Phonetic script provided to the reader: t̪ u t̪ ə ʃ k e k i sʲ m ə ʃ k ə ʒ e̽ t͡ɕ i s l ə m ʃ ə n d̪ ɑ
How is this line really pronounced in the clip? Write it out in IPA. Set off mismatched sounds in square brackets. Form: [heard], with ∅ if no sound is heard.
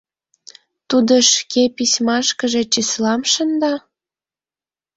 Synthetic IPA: t̪ u [d̪] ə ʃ k e [p] i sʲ m [ɑ] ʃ k ə ʒ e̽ t͡ɕ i s l [ɑ] m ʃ ə n d̪ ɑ